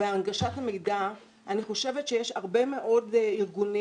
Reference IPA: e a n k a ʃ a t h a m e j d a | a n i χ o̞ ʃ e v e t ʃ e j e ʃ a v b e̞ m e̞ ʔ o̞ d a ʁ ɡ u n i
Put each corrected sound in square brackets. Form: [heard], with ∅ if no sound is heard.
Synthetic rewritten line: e a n [ɡ] a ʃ a t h a m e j d a | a n i χ o̞ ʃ e v e t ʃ e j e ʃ a [ʁ] b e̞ m e̞ ʔ o̞ d [i] ʁ ɡ u n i